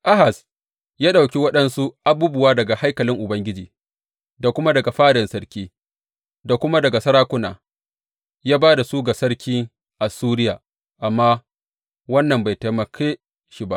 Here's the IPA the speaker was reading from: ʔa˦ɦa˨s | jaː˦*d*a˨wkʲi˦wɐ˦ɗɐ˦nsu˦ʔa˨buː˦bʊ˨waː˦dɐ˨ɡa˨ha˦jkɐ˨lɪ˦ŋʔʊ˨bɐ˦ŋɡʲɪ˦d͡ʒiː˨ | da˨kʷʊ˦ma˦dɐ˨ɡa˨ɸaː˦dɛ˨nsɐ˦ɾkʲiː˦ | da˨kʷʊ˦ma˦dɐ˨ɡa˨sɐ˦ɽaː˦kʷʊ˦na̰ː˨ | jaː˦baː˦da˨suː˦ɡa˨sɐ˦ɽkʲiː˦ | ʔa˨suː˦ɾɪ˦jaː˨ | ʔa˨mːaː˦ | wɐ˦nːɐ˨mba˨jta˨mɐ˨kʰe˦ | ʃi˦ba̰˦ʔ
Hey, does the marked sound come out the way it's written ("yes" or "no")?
no